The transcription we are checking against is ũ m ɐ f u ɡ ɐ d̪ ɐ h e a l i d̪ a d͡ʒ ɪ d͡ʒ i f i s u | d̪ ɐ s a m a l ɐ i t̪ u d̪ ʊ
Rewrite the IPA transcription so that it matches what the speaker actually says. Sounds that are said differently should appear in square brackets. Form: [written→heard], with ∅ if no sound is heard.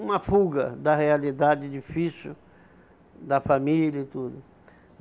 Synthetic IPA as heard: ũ m ɐ f u ɡ ɐ d̪ ɐ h e a l i d̪ a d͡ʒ ɪ d͡ʒ i f i s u | d̪ ɐ [s→f] a m [a→i] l ɐ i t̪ u d̪ ʊ